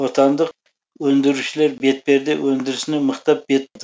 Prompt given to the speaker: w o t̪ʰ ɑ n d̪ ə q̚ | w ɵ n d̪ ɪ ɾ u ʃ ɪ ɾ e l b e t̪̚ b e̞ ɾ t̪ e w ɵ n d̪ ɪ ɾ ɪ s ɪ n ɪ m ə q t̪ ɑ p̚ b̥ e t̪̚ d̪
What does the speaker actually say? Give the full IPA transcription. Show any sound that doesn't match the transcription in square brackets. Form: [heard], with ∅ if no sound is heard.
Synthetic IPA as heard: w o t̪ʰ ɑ n d̪ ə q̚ | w ɵ n d̪ ɪ ɾ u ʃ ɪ [l] e [ɾ] b e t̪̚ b e̞ ɾ [d̪] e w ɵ n d̪ ɪ ɾ ɪ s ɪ n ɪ m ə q t̪ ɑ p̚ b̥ e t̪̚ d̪